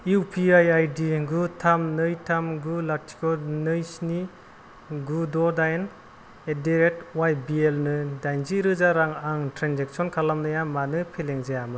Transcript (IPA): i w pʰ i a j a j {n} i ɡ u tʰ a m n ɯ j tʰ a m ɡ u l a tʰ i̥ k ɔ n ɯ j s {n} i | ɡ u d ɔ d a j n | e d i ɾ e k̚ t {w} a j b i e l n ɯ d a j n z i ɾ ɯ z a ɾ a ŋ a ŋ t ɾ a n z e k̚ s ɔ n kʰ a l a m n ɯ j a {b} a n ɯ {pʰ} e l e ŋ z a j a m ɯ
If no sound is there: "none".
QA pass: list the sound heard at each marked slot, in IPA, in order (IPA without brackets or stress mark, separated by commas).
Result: d, n, w, m, pʰ